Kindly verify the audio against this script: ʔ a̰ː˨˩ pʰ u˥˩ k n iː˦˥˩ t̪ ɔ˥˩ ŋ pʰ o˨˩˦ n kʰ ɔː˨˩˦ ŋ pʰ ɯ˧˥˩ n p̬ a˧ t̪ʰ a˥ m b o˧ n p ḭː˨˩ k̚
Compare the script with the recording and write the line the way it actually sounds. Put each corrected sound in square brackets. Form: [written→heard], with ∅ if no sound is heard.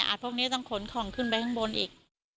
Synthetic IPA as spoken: ʔ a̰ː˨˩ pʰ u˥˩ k n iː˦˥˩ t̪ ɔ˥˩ ŋ [pʰ→kʰ] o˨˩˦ n kʰ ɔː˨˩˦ ŋ [pʰ→kʰ] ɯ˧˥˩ n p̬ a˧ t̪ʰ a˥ [m→ŋ] b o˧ n [p→ʔ] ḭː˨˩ k̚